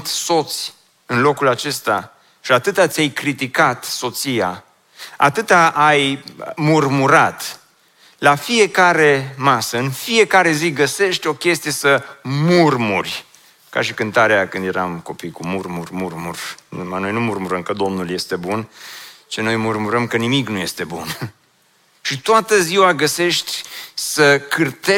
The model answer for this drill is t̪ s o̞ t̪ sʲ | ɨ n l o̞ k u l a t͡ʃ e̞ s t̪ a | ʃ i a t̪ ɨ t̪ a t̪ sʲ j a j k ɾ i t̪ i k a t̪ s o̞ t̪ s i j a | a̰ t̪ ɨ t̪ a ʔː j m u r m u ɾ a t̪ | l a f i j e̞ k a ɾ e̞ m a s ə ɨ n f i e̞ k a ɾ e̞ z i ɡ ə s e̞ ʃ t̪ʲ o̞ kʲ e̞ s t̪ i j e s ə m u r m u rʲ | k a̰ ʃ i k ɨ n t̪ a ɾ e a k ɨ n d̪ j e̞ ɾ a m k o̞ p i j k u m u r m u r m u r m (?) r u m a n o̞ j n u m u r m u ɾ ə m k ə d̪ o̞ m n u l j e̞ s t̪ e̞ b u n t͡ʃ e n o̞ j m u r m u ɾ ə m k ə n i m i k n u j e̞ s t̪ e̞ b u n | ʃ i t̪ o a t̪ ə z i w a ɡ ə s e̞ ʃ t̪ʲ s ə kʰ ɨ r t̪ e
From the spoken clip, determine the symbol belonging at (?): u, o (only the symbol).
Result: u